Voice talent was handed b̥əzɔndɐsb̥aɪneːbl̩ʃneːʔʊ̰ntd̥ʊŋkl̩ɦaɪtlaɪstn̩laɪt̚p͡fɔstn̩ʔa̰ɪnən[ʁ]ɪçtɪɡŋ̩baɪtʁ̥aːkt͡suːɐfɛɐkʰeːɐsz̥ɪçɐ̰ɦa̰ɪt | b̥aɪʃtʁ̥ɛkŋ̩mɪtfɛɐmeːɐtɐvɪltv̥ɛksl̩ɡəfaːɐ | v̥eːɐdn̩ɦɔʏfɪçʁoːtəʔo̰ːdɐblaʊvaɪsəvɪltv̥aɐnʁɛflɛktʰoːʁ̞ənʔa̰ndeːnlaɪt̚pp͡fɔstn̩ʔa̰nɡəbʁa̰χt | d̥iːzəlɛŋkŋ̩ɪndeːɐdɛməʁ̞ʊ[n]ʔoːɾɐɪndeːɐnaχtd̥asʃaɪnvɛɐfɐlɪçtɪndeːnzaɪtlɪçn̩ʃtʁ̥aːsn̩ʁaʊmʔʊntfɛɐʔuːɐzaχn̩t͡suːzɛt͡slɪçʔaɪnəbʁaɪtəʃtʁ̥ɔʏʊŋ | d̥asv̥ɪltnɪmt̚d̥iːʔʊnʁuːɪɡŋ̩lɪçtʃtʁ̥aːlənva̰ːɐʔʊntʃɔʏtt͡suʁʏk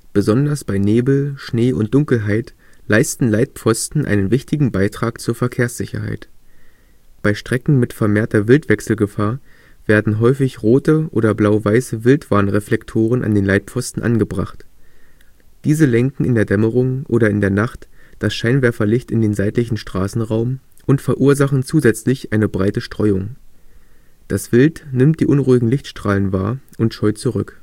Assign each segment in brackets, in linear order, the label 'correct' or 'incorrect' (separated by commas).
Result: incorrect, incorrect